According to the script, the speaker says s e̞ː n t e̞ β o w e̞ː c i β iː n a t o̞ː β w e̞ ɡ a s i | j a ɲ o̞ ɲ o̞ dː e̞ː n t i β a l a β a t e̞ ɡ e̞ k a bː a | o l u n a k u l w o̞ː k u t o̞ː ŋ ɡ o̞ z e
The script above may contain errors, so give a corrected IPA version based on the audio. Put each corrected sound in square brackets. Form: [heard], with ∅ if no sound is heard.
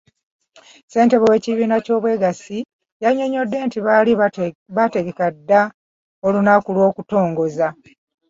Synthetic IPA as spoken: s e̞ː n t e̞ β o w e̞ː c i β iː n a [c] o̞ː β w e̞ ɡ a s i | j a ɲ o̞ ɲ o̞ dː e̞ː n t i β a l [i] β a t e̞ ɡ e̞ k a [dː] a | o l u n a k u l w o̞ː k u t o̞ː ŋ ɡ o̞ z [a]